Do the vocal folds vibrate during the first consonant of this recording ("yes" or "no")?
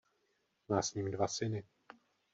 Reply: yes